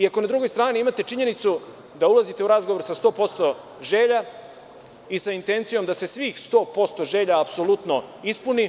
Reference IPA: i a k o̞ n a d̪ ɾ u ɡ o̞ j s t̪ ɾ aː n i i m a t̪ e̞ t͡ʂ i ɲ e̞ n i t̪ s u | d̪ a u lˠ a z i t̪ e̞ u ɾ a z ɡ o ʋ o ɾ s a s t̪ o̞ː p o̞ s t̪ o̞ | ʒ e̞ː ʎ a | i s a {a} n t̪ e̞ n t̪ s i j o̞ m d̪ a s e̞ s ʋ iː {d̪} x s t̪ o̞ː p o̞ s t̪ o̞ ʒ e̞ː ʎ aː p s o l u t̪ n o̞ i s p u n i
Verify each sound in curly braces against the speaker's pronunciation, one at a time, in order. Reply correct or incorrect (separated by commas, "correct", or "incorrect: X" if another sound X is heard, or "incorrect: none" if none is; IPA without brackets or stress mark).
incorrect: i, incorrect: none